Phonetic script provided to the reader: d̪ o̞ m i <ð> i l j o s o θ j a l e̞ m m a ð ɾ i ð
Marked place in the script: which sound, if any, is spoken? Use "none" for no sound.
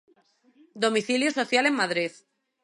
θ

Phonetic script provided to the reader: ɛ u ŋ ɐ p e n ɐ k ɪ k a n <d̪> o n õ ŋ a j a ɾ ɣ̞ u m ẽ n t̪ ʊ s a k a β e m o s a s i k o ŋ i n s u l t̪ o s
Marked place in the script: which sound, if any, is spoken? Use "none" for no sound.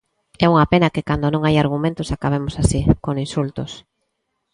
d̪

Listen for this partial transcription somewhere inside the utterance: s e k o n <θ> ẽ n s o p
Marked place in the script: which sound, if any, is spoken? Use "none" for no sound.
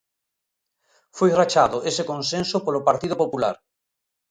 s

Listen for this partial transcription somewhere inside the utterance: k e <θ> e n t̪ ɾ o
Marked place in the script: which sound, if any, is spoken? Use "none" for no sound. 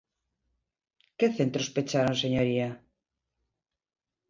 θ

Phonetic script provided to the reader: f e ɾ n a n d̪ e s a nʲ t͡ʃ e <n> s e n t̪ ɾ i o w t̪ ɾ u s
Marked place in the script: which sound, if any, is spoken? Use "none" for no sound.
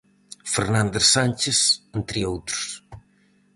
none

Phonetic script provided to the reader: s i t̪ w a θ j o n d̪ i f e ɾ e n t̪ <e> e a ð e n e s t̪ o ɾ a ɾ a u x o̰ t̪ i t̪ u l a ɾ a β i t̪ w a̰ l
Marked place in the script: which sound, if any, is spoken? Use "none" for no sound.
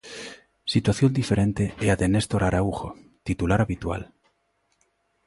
e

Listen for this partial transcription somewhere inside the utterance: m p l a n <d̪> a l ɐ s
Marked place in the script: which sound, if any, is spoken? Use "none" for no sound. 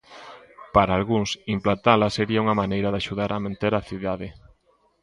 t̪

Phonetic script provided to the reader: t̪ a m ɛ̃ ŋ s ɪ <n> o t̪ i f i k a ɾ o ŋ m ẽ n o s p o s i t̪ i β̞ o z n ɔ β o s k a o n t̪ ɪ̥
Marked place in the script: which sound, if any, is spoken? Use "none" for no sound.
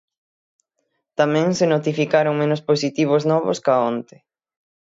n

